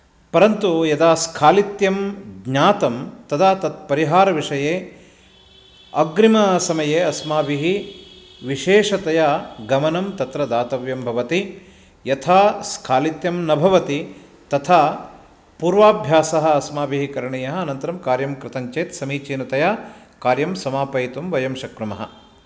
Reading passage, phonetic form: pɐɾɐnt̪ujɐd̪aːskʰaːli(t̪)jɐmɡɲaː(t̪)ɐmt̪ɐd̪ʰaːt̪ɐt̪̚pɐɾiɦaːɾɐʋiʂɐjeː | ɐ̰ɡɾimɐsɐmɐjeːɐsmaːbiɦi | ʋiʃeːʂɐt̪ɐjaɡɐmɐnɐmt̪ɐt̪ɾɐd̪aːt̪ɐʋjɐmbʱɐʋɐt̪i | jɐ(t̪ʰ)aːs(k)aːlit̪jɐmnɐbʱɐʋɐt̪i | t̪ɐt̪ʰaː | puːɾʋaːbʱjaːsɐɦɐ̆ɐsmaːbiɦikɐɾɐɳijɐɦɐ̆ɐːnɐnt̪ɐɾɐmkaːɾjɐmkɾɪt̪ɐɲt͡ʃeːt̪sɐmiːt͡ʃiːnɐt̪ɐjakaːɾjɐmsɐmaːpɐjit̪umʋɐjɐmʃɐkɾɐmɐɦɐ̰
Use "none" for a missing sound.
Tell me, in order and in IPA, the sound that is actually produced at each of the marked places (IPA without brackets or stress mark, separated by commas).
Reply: t̪, t̪, t̪ʰ, kʰ